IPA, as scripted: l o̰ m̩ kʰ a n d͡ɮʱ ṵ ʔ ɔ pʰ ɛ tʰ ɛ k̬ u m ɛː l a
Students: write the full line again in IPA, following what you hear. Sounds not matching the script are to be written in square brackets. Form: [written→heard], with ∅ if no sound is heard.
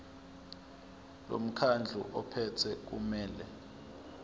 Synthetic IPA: l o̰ m̩ kʰ a n d͡ɮʱ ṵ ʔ ɔ pʰ ɛ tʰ ɛ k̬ u m ɛː l [a→ɛ]